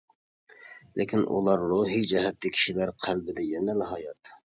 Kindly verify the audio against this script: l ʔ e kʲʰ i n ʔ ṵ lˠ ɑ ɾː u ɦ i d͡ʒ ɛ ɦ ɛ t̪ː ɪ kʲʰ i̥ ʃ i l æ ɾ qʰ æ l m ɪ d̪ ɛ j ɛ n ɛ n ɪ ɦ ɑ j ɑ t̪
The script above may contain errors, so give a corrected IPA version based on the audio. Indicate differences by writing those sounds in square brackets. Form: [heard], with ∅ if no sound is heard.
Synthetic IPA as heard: l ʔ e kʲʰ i n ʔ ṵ lˠ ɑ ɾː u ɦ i d͡ʒ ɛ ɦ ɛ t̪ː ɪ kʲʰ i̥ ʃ i l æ ɾ qʰ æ l [b] ɪ d̪ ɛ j ɛ n ɛ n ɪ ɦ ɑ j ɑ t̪